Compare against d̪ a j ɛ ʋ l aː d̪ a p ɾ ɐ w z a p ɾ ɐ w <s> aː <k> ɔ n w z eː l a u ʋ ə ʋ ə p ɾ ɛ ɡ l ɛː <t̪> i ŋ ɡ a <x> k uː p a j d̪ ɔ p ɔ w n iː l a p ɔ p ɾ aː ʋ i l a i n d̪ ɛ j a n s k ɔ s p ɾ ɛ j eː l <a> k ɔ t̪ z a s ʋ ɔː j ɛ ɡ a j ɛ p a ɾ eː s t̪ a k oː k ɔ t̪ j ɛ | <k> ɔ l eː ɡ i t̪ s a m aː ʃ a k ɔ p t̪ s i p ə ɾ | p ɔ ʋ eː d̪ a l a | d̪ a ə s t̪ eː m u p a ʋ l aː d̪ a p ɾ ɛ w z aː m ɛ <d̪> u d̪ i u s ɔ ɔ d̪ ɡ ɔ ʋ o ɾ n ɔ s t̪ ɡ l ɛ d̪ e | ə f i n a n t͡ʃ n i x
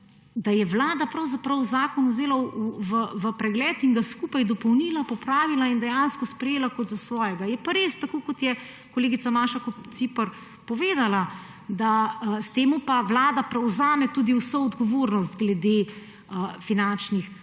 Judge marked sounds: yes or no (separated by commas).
no, yes, yes, no, yes, yes, no